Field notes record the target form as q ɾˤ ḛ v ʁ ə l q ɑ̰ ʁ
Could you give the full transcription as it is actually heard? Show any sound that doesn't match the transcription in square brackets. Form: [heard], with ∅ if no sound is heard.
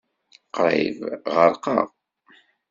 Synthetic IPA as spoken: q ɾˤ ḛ v ʁ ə [ɾ] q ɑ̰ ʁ